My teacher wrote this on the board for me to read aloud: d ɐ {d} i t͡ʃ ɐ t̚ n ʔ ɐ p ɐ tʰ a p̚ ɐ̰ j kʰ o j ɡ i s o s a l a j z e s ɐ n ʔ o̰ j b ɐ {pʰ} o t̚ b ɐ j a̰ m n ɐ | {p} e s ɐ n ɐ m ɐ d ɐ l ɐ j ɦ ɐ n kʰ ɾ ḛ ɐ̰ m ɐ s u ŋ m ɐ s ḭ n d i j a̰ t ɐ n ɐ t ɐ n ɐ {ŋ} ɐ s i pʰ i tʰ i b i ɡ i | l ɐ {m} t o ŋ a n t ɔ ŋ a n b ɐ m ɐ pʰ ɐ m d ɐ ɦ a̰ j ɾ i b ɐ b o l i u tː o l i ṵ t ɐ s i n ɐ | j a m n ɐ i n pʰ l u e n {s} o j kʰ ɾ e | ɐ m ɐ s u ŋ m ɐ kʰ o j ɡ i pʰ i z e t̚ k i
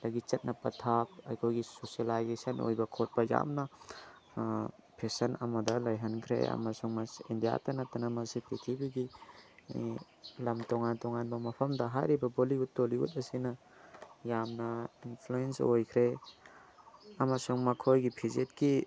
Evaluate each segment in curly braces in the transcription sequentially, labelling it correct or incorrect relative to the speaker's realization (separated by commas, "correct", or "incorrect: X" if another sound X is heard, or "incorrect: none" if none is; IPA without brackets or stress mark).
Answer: incorrect: ɡ, incorrect: kʰ, incorrect: pʰ, incorrect: m, correct, correct